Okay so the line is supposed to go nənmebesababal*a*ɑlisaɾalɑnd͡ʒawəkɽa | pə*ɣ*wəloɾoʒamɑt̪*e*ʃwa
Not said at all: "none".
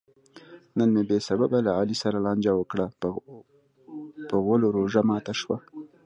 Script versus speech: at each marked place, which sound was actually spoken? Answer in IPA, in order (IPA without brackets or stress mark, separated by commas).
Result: a, ɣ, a